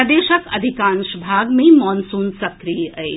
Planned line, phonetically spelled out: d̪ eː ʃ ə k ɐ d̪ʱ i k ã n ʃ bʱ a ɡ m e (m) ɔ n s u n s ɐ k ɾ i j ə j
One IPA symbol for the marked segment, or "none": m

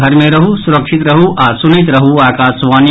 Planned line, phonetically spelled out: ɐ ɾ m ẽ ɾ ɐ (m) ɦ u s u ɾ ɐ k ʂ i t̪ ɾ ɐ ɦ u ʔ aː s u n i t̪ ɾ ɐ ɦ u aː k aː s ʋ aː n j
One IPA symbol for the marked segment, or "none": none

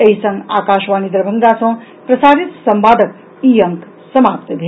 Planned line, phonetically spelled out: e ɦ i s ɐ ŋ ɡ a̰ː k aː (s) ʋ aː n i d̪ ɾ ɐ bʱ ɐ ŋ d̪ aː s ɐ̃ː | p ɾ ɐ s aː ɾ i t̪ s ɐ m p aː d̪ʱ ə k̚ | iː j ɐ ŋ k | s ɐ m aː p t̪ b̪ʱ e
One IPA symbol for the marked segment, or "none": ʃ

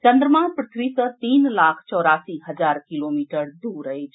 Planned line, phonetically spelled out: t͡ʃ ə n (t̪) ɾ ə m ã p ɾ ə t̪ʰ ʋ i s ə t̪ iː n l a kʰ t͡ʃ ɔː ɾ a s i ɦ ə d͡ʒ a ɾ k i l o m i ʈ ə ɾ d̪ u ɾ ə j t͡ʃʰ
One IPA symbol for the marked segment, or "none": d̪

